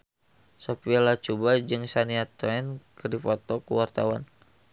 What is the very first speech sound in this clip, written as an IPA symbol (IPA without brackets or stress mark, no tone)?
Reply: s